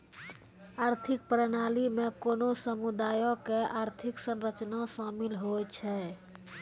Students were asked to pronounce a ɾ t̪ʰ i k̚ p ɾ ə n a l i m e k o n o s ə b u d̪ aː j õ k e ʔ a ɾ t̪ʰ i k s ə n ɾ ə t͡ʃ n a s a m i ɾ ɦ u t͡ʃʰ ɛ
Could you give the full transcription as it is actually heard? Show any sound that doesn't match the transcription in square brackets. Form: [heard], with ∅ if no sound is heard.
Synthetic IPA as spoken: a ɾ t̪ʰ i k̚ p ɾ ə n a l i m e k o n o s ə [m] u d̪ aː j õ k e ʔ a ɾ t̪ʰ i k s ə n ɾ ə t͡ʃ n a s a m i [l] ɦ [o] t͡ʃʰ ɛ